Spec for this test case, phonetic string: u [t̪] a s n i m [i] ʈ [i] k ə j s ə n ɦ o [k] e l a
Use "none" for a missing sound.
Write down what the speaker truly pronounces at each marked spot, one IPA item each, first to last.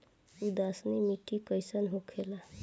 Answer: d̪, i, i, kʰ

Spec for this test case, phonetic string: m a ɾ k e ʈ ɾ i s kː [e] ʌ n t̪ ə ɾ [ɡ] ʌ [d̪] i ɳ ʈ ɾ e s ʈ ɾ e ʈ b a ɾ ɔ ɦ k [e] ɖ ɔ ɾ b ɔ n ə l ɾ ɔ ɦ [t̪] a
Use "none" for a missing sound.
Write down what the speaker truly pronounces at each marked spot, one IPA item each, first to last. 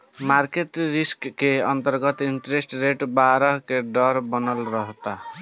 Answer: e, ɡ, t̪, e, t̪

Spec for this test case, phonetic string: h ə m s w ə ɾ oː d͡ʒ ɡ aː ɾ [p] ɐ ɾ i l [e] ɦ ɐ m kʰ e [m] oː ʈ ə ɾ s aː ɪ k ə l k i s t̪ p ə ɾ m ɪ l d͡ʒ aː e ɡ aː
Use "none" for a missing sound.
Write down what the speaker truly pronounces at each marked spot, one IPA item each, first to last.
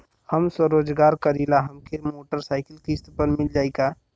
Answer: k, a, m

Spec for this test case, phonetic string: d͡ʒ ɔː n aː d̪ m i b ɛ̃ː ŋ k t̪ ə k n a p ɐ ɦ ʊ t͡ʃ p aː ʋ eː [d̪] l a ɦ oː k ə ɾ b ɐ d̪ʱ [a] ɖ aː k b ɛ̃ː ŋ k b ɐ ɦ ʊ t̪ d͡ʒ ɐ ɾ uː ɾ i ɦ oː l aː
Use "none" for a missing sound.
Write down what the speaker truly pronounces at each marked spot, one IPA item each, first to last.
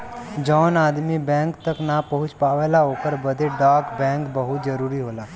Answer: none, e

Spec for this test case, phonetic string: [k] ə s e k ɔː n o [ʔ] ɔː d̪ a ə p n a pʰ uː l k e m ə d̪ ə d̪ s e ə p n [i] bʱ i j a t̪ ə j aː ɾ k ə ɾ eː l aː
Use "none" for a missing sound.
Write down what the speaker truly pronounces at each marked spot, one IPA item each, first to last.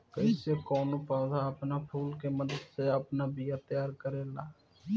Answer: k, p, a

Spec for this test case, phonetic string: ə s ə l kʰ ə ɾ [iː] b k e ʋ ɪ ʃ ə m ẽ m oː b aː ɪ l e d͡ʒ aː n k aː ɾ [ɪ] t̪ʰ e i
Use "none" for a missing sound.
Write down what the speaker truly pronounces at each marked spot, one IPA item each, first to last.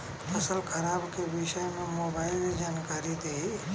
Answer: aː, i

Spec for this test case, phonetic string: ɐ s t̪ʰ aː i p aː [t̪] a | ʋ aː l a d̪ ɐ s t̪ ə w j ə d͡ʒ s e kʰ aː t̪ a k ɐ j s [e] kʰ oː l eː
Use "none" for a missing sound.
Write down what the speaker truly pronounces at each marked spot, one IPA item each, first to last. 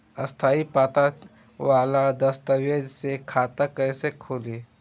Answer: t̪, e

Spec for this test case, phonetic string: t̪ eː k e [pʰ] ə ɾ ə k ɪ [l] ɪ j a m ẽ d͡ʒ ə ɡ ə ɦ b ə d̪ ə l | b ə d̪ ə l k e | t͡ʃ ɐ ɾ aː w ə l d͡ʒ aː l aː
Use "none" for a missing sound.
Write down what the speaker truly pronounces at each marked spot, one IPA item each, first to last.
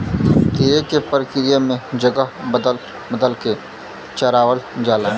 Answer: p, ɾ

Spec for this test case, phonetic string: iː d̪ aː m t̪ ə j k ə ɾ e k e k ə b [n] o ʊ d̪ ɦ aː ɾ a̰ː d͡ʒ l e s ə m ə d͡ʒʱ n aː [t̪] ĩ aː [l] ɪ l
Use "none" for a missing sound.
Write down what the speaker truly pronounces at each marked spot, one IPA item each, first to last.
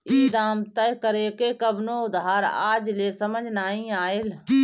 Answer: n, none, none

